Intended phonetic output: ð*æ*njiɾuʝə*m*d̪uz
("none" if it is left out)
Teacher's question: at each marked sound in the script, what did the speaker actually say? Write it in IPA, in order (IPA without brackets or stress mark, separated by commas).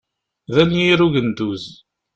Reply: æ, n